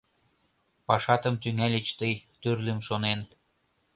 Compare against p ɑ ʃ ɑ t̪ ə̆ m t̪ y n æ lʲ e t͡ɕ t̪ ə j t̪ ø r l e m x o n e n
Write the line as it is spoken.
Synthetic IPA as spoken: p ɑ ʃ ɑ t̪ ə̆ m t̪ y ŋ æ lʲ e t͡ɕ t̪ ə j t̪ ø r l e m ʃ o n e n

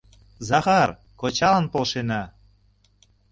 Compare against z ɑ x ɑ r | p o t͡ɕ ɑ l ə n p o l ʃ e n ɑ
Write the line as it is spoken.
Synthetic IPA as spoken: z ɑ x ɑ r | k o t͡ɕ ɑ l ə n p o l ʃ e n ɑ

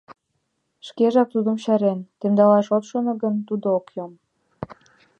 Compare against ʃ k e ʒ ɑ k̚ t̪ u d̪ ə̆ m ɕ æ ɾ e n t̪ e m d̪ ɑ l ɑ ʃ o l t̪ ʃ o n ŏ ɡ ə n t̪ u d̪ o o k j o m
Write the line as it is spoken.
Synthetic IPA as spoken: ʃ k e ʒ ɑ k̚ t̪ u d̪ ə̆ m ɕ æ ɾ e n t̪ e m d̪ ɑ l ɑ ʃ o t̪ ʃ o n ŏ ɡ ə n t̪ u d̪ o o k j o m

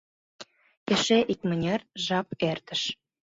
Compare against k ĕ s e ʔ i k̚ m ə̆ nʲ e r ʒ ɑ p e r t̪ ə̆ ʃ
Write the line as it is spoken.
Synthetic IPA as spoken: k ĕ ʃ e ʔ i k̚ m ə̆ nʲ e r ʒ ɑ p e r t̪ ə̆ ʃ

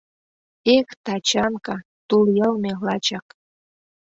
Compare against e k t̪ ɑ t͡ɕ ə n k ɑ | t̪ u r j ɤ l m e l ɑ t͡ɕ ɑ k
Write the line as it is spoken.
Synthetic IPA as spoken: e k t̪ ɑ t͡ɕ ɑ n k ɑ | t̪ u l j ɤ l m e l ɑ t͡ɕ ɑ k

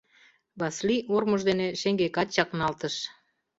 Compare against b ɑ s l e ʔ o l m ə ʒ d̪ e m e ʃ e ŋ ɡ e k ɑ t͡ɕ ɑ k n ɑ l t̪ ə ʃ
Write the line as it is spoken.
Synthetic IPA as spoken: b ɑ s l i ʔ o r m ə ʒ d̪ e n e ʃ e ŋ ɡ e k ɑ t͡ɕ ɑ k n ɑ l t̪ ə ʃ

